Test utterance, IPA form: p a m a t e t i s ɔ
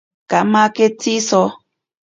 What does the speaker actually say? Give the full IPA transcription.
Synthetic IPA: k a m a k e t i s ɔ